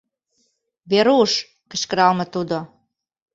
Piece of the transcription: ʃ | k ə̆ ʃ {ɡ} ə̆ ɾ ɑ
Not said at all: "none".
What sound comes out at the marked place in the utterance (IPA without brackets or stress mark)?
k